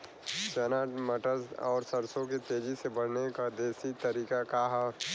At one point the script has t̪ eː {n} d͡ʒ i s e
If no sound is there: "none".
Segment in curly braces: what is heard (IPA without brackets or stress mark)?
none